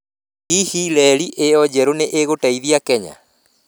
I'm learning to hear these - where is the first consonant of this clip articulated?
throat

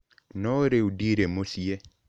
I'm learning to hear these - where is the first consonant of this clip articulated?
tongue tip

